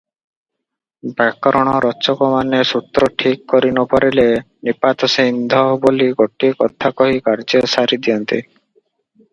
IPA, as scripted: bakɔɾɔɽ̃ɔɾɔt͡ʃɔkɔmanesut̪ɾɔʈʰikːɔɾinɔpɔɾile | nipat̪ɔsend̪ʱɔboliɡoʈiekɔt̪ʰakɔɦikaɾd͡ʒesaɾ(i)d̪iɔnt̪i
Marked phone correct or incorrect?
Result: correct